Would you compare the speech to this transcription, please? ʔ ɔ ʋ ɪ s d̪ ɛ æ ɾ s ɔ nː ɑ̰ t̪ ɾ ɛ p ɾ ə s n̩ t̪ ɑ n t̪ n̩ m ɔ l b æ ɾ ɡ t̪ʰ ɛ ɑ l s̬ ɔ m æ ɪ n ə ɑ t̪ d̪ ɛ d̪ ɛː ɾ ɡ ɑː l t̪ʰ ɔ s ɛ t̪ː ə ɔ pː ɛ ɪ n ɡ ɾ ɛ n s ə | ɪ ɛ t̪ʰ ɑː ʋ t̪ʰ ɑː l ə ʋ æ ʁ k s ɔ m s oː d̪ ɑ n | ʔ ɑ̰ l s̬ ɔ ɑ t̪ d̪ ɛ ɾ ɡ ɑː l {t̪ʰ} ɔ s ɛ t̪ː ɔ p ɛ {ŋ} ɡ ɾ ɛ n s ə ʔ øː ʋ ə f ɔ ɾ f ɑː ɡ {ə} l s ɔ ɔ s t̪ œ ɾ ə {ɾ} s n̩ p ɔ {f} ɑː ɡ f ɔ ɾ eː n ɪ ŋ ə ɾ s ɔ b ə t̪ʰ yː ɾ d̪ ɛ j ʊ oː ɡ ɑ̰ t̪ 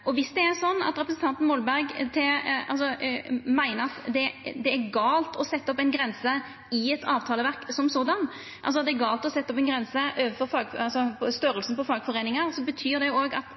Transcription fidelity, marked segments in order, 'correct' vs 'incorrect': incorrect: t̪, incorrect: n, incorrect: ɑ, incorrect: l, correct

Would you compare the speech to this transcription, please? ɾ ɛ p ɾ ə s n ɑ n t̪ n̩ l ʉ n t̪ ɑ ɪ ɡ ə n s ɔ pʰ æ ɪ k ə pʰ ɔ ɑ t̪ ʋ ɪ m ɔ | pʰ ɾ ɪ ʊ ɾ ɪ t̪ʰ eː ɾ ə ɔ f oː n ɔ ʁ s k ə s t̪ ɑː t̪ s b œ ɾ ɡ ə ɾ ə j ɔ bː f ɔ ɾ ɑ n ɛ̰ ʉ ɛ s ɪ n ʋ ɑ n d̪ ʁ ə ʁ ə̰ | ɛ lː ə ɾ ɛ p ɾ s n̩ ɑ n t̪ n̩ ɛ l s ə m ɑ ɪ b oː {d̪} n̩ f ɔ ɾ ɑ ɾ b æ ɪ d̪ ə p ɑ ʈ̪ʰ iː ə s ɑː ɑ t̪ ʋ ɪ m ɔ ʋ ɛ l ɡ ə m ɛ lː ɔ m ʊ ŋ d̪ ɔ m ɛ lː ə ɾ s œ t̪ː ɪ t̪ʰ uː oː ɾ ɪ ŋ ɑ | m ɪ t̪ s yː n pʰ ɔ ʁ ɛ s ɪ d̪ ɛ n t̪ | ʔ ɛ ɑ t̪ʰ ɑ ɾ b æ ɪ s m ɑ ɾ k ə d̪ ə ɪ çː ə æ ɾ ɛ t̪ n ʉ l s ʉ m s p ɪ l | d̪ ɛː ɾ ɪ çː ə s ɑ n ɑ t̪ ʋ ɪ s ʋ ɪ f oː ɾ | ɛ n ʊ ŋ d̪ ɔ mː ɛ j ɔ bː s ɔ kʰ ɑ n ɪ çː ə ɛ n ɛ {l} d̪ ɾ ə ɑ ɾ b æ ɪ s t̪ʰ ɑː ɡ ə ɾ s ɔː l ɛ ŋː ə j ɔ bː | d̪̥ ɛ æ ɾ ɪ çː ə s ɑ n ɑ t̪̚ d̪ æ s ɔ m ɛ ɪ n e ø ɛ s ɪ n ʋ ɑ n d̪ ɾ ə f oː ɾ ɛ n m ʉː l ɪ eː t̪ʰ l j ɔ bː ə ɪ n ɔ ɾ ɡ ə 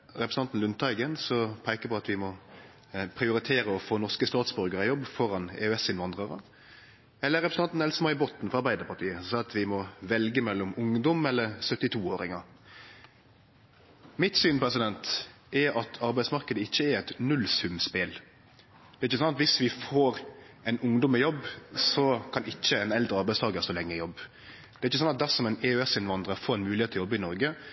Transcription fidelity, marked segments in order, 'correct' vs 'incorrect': incorrect: t̪, correct

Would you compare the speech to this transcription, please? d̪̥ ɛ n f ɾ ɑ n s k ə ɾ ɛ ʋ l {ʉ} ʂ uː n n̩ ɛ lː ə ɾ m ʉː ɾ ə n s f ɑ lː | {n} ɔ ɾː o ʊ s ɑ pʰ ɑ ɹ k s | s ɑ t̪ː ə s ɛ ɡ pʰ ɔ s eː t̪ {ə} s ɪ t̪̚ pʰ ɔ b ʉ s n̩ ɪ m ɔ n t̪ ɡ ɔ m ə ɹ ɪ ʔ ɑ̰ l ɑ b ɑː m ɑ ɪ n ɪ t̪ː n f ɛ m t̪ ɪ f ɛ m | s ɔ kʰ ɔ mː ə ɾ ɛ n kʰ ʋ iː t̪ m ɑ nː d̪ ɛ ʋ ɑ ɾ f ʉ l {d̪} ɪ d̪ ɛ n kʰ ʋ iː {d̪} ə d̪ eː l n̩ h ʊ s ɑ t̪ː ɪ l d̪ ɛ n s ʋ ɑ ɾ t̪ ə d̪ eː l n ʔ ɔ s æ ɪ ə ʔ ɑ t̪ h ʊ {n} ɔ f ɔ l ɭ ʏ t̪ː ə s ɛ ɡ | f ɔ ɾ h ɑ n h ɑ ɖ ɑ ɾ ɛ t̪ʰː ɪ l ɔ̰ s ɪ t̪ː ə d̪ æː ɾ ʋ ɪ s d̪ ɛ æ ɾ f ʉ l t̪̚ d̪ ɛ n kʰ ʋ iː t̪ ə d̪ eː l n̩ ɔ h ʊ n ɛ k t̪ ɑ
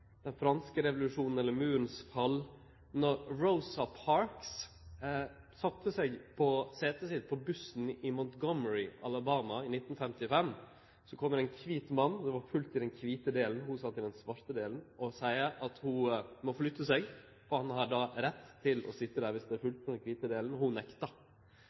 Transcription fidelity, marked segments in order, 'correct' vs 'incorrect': correct, correct, correct, incorrect: t̪, incorrect: t̪, incorrect: m

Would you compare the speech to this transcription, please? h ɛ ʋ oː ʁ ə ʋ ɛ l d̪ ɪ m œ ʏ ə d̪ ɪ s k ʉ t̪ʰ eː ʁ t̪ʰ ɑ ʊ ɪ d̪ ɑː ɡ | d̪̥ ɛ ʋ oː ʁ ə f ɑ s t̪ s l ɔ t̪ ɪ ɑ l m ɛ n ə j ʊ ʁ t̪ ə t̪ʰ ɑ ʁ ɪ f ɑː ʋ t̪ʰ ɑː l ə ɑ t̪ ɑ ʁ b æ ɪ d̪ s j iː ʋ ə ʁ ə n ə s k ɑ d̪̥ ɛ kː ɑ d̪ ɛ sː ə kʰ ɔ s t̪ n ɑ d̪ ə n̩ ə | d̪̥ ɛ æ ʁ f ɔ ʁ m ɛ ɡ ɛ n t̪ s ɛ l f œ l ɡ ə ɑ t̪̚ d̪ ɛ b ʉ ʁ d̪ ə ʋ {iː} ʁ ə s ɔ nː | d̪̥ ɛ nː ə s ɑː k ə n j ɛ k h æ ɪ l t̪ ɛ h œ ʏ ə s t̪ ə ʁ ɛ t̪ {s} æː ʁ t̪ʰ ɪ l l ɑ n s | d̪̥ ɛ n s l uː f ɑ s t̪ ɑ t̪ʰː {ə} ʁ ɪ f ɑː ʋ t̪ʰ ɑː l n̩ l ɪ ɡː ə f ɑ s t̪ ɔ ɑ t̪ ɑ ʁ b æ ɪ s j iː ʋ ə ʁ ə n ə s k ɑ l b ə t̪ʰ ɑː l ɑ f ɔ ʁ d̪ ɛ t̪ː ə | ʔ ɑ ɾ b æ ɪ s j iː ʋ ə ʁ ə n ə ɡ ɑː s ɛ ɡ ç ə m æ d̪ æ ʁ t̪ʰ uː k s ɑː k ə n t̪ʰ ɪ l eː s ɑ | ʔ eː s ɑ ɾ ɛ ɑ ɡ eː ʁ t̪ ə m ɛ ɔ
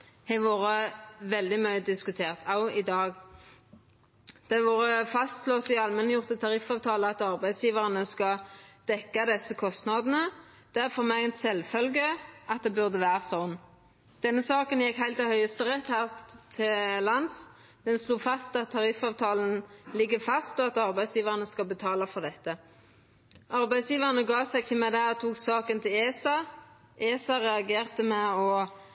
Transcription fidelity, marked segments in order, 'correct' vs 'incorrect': incorrect: æː, incorrect: h, incorrect: ɑ

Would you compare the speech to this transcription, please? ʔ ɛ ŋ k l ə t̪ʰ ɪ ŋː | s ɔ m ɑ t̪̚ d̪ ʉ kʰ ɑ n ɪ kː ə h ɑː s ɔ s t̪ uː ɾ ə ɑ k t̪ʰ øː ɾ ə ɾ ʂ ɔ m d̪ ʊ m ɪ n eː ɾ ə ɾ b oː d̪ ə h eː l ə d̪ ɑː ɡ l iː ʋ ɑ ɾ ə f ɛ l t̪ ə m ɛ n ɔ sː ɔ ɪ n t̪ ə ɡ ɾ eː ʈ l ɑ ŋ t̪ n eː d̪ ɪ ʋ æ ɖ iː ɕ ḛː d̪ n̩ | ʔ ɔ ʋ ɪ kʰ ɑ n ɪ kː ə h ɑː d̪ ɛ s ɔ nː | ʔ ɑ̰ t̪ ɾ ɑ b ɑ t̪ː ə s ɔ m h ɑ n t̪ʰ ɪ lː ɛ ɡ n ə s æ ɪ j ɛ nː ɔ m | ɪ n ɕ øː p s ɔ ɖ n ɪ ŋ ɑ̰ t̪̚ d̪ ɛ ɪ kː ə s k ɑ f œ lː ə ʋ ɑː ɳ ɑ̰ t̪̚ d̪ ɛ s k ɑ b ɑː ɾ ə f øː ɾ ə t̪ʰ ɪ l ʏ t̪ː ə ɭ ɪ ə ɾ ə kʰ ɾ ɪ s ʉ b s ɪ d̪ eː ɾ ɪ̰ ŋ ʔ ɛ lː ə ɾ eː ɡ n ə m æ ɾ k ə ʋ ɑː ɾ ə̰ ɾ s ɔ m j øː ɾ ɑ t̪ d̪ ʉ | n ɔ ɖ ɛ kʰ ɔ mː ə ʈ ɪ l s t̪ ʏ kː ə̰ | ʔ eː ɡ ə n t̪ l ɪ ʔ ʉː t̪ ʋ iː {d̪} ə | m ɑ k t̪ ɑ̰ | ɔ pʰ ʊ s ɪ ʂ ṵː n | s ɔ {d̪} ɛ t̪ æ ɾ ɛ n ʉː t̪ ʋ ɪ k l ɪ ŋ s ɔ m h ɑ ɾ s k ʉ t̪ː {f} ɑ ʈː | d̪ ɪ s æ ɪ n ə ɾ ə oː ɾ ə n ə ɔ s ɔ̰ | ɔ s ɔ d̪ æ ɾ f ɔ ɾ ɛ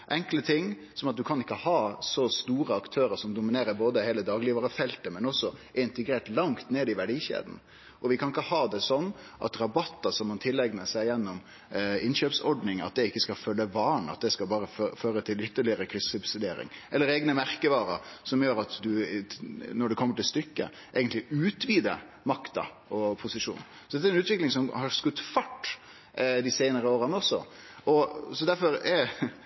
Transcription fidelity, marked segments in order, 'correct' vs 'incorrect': correct, correct, correct

